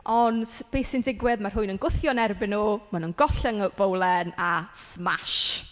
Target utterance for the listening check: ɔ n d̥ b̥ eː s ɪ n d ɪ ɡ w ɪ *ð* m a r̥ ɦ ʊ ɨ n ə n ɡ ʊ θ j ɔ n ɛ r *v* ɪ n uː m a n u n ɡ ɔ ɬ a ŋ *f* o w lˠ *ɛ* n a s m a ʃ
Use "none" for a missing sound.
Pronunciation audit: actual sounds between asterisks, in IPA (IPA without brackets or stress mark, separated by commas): ð, b, v, ɛ